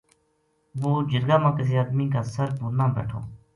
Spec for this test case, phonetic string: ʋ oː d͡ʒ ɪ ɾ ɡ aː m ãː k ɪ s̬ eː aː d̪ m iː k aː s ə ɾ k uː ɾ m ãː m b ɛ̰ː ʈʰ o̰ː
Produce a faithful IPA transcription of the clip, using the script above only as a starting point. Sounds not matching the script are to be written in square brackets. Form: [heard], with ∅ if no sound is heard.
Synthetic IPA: ʋ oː d͡ʒ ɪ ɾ ɡ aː m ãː k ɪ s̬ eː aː d̪ m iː k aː s ə ɾ [p] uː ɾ [n] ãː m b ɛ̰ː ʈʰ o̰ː